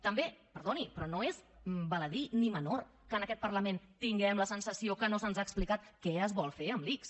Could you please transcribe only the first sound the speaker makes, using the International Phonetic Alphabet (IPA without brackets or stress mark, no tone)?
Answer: t̪